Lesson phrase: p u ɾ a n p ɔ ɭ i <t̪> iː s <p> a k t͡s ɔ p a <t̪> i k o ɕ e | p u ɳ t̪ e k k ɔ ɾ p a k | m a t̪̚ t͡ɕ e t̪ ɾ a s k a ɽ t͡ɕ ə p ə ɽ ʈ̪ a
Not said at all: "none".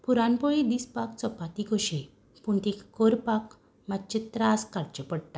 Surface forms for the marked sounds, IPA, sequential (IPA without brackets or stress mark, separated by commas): d̪, p, t̪